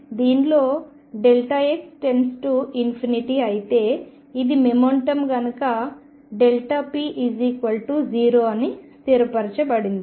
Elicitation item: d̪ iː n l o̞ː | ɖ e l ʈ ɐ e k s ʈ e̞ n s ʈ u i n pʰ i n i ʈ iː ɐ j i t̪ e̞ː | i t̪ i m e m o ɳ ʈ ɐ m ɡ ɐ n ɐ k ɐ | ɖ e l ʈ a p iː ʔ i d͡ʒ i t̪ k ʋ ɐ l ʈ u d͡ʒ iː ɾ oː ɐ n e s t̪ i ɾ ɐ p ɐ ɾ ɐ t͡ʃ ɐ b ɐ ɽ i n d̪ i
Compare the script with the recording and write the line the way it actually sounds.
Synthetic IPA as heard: d̪ iː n l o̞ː | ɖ e l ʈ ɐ e k s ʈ e̞ n s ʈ u i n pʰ i n i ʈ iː ɐ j i t̪ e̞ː | i d̪ i m e m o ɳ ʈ ɐ m ɡ ɐ n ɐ k ɐ | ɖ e l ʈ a p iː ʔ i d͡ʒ i k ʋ ɐ l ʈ u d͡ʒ iː ɾ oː ɐ n i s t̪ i ɾ ɐ p ɐ ɾ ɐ t͡ʃ ɐ b ɐ ɽ i n d̪ i